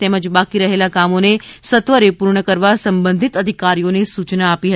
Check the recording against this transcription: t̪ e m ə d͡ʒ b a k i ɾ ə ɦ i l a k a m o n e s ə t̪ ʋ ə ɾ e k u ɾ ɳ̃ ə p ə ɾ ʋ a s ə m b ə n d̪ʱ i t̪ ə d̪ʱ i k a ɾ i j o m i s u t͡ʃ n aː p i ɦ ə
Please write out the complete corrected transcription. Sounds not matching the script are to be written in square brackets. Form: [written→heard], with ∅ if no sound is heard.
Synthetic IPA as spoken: t̪ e m ə d͡ʒ b a k i ɾ ə ɦ [i→e] l a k a m o n e s ə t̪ ʋ ə ɾ e [k→p] u ɾ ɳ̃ ə [p→k] ə ɾ ʋ a s ə m b ə n d̪ʱ i t̪ ə d̪ʱ i k a ɾ i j o [m→n] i s u t͡ʃ n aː p i ɦ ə

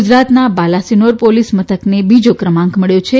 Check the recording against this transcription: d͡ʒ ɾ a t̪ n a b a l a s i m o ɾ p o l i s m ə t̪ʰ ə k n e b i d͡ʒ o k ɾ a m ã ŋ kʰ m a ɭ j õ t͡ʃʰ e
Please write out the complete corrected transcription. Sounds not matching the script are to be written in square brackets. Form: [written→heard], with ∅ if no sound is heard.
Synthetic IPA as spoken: d͡ʒ ɾ a t̪ n a b a l a s i [m→n] o ɾ p o l i s m ə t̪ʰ ə k n e b i d͡ʒ o k ɾ [a→ə] m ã ŋ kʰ m [a→ə] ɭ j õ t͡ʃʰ e

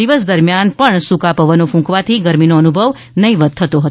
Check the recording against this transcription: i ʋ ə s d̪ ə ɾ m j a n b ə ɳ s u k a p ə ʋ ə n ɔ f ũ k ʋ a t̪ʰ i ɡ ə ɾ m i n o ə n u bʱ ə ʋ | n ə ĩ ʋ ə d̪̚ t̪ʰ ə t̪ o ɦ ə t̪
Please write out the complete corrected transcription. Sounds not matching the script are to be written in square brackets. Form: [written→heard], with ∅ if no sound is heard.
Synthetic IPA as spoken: i ʋ ə s d̪ ə ɾ m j a n [b→p] ə ɳ s u k a p ə ʋ ə n [ɔ→o] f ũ k ʋ a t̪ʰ i ɡ ə ɾ m i n o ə n u bʱ ə ʋ | n ə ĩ ʋ ə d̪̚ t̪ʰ ə t̪ o ɦ ə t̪

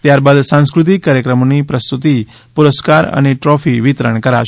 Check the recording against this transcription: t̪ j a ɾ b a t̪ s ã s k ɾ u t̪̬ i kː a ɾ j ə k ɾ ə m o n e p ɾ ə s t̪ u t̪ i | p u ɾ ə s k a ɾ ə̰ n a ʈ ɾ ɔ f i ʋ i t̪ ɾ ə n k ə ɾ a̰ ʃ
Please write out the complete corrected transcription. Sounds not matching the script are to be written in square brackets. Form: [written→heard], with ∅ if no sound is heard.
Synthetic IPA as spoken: t̪ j a ɾ b a [t̪→d̪] s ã s k ɾ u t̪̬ i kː a ɾ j ə k ɾ ə m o n [e→i] p ɾ ə s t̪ u t̪ i | p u ɾ ə s k a ɾ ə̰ n [a→e] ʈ ɾ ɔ f i ʋ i t̪ ɾ ə [n→ɳ] k ə ɾ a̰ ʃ

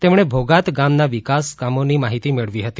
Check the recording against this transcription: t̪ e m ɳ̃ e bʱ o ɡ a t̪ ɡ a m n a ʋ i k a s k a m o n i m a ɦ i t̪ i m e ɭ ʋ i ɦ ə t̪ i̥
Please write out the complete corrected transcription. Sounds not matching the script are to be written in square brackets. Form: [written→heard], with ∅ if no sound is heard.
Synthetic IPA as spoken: t̪ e m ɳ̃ e bʱ o ɡ a t̪ ɡ a m n a ʋ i k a s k a m o n i m a ɦ i t̪ i m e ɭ ʋ i ɦ ə t̪ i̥

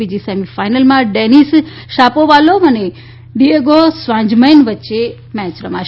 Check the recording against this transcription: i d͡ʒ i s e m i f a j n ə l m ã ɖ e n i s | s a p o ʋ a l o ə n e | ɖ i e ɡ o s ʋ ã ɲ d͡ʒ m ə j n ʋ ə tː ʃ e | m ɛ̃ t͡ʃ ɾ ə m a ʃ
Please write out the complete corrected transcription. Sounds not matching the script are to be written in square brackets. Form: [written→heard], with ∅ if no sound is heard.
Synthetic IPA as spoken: i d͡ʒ i s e m i f a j n ə l m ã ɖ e n i s | [s→ʃ] a p o ʋ a l o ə n e | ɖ i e ɡ o s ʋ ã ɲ d͡ʒ m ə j n ʋ ə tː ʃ e | m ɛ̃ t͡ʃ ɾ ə m a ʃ

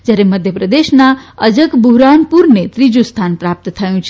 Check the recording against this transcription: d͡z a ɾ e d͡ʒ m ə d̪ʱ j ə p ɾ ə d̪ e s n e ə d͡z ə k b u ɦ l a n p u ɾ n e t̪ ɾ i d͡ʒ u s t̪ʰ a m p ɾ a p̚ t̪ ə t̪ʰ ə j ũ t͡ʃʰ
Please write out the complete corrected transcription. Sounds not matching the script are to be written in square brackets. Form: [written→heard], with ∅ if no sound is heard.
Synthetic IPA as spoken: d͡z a ɾ e [d͡ʒ→∅] m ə d̪ʱ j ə p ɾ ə d̪ e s n [e→a] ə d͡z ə k b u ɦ [l→ɾ] a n p u ɾ n e t̪ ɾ i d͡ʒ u s t̪ʰ a [m→n] p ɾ a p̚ t̪ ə t̪ʰ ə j ũ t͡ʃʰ

